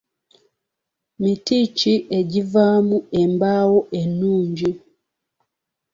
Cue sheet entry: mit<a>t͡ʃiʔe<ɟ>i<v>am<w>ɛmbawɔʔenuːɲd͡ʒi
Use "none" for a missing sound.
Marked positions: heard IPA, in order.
i, ɟ, v, u

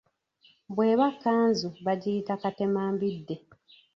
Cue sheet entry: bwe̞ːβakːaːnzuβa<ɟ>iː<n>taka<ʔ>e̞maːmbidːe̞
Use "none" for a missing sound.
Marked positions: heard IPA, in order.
ɟ, none, t

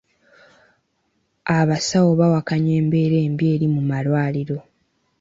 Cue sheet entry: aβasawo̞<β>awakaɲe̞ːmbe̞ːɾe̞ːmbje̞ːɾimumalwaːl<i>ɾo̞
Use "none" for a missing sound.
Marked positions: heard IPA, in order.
β, i

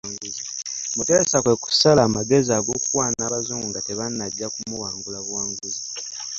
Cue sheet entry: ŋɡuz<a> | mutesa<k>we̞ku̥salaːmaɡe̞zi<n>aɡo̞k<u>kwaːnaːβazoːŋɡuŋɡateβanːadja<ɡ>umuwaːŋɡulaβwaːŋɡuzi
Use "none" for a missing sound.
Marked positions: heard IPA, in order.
i, k, none, u, k

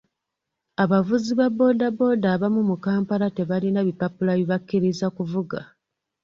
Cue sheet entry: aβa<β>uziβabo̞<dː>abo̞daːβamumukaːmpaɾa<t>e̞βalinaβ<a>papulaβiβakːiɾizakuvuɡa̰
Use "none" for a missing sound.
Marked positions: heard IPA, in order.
v, d, t, i

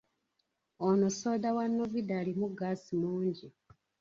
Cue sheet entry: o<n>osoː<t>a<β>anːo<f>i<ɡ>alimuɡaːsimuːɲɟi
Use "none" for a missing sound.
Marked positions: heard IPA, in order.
n, d, w, v, d

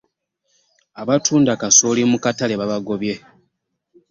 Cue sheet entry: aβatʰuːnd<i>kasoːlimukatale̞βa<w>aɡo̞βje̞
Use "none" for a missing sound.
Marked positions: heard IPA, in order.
a, β

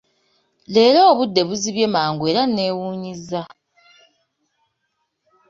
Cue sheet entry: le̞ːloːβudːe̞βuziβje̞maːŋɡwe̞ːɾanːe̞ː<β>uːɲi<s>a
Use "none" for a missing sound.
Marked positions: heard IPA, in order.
w, z

